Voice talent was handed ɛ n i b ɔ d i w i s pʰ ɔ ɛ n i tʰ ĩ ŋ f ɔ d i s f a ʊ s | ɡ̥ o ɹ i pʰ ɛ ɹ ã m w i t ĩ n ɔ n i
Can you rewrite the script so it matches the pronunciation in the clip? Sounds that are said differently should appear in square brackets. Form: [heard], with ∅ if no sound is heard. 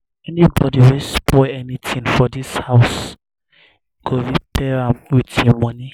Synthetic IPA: ɛ n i b ɔ d i w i s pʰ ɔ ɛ n i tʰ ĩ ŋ f ɔ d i s [h] a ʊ s | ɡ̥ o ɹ i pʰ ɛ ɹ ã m w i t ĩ [m] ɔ n i